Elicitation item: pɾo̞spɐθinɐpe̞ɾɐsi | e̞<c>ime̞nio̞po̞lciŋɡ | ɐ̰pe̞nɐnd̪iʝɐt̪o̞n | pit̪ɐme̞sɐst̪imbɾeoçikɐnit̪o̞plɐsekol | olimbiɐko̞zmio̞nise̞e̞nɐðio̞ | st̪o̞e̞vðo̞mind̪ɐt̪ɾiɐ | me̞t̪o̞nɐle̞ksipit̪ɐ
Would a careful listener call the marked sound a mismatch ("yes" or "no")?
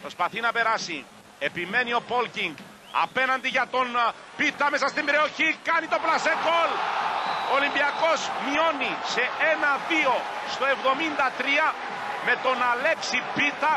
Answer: yes